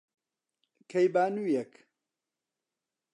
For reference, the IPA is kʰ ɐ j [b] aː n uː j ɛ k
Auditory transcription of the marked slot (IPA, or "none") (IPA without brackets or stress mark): b